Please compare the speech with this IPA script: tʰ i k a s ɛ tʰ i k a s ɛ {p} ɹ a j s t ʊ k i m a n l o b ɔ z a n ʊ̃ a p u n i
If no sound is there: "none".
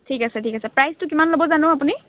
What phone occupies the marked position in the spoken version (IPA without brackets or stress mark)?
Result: p